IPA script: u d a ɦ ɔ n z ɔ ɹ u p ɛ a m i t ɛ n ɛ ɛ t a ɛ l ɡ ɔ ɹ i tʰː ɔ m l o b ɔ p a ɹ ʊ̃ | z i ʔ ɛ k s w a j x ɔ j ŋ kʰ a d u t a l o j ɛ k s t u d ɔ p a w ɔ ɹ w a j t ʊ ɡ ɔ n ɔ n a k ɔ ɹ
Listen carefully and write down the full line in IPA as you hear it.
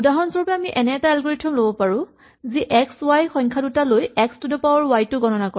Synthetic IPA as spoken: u d a ɦ ɔ n s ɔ ɹ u p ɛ a m i ʔ ɛ n ɛ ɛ t a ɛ l ɡ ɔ ɹ i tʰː ɔ m l o b ɔ p a ɹ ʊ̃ | z i ʔ ɛ k s w a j x ɔ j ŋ kʰ a d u t a l o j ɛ k s t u d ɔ p a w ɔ ɹ w a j t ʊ ɡ ɔ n ɔ n a k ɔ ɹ